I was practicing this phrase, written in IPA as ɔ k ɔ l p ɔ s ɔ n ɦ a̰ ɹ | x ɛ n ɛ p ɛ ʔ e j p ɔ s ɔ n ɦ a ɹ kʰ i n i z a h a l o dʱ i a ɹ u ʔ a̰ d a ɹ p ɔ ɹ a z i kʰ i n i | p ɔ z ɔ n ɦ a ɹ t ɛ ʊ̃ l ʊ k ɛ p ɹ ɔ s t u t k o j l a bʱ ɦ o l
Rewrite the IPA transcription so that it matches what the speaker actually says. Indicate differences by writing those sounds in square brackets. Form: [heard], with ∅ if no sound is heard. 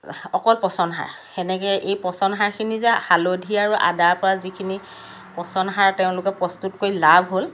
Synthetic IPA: ɔ k ɔ l p ɔ s ɔ n ɦ a̰ ɹ | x ɛ n ɛ [k] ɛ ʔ e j p ɔ s ɔ n ɦ a ɹ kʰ i n i z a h a l o dʱ i a ɹ u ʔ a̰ d a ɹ p ɔ ɹ a z i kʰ i n i | p ɔ [s] ɔ n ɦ a ɹ t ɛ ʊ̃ l ʊ k ɛ p ɹ ɔ s t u t k o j l a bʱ ɦ o l